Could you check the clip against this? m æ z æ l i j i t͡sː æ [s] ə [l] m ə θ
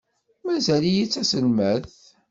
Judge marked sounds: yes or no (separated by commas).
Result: yes, yes